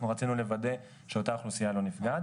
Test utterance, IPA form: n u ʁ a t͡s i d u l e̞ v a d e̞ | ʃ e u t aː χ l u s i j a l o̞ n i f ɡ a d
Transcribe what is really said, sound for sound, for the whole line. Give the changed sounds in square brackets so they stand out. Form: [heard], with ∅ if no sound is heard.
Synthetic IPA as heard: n u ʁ a t͡s i [n] u l e̞ v a d e̞ | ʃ e [o] t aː χ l u s i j a l o̞ n i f ɡ a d